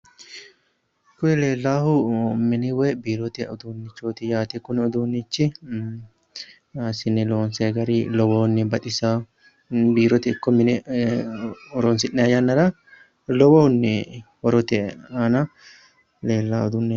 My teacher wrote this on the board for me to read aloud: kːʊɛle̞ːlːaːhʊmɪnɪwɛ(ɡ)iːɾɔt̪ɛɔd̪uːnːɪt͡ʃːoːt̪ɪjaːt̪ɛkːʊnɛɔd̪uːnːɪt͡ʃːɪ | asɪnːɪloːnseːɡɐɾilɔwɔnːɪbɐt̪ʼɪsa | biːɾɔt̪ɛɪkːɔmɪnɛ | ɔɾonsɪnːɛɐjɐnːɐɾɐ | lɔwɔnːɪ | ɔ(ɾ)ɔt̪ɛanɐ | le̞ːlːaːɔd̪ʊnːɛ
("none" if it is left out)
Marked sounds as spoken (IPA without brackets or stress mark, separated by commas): b, ɾ